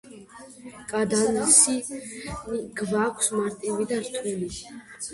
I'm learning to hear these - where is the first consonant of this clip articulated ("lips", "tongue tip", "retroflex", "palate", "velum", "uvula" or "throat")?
velum